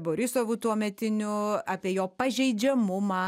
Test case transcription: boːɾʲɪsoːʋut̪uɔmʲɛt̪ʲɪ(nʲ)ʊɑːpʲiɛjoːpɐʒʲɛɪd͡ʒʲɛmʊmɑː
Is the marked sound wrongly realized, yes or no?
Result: no